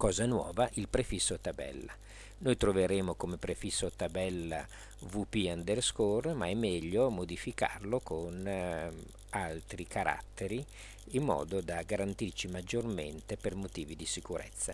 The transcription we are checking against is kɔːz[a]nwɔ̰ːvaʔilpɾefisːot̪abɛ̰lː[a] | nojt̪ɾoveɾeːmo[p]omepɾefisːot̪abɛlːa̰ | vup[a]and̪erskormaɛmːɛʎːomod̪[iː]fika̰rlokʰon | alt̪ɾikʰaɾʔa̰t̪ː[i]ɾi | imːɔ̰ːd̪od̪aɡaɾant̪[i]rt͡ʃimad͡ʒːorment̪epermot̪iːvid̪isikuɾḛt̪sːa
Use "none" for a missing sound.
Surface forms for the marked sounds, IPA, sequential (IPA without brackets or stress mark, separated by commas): a, a, k, i, i, e, i